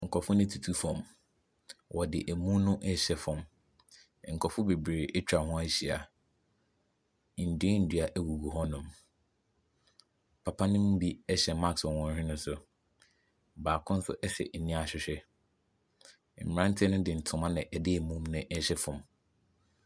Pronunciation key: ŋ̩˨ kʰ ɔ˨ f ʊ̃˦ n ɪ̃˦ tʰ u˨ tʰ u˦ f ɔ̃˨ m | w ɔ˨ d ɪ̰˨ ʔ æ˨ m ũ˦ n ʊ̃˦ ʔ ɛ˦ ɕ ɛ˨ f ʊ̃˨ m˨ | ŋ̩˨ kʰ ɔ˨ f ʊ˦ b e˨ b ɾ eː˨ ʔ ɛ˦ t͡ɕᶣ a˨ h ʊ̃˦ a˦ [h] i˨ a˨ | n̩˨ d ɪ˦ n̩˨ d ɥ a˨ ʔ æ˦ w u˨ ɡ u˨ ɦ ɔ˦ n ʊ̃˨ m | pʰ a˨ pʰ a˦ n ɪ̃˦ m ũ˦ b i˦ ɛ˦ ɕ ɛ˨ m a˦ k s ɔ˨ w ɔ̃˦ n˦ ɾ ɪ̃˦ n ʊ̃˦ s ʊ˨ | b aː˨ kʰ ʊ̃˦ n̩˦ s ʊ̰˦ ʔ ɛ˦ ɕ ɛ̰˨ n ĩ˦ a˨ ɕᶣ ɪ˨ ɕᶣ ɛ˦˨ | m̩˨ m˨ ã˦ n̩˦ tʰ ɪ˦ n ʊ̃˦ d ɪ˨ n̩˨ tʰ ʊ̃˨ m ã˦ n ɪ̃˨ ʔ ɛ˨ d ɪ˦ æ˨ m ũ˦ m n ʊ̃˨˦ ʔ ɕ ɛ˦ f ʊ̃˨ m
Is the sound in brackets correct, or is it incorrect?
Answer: incorrect